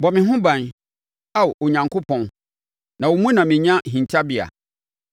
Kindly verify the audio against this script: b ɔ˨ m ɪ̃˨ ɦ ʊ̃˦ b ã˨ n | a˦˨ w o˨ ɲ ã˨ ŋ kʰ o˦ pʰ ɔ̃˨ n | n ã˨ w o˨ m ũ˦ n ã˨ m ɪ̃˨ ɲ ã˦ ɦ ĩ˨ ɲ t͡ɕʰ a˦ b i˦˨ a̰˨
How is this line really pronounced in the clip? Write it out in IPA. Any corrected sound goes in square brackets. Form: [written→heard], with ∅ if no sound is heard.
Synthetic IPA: b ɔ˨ m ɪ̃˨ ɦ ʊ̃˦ b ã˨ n | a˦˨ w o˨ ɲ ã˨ ŋ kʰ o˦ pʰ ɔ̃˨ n | n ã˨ w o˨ m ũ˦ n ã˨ m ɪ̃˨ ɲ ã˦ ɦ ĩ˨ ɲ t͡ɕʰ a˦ b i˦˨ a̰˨